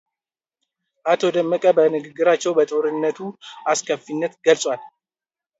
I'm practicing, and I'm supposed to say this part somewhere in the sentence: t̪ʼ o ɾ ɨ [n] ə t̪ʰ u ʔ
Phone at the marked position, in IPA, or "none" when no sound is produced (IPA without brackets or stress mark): nː